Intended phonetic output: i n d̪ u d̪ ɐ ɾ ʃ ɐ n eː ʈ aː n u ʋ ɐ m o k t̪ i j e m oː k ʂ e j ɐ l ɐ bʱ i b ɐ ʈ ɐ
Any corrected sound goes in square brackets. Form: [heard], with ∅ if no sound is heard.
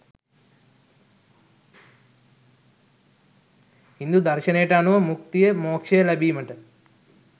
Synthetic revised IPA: i n d̪ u d̪ ɐ ɾ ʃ ɐ n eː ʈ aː n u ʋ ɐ m [u] k t̪ i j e m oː k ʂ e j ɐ l ɐ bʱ i [m] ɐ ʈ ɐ